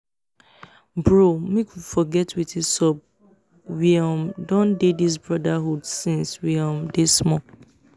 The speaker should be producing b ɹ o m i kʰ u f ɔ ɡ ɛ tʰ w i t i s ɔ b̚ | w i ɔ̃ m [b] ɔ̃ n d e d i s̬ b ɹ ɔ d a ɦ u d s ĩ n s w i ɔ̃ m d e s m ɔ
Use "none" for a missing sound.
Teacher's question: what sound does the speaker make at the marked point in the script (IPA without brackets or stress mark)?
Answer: d